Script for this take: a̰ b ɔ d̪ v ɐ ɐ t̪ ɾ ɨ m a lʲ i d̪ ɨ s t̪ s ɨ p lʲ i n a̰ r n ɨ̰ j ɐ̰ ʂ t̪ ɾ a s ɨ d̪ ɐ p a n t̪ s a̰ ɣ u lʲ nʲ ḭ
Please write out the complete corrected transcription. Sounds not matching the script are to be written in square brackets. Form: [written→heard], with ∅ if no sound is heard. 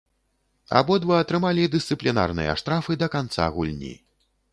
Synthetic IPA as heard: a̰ b ɔ d̪ v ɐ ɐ t̪ ɾ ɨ m a lʲ i d̪ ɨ s t̪ s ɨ p lʲ i n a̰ r n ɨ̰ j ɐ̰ ʂ t̪ ɾ a [s→f] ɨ d̪ ɐ [p→k] a n t̪ s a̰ ɣ u lʲ nʲ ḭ